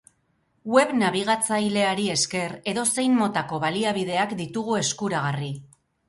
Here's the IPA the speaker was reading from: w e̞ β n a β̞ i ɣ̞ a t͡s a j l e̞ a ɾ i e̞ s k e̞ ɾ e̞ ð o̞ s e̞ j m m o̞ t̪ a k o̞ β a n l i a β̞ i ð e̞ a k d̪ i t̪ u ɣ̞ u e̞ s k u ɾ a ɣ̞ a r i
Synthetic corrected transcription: w e̞ β n a β̞ i ɣ̞ a t͡s a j l e̞ a ɾ i e̞ s k e̞ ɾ e̞ ð o̞ s e̞ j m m o̞ t̪ a k o̞ β a l i a β̞ i ð e̞ a k d̪ i t̪ u ɣ̞ u e̞ s k u ɾ a ɣ̞ a r i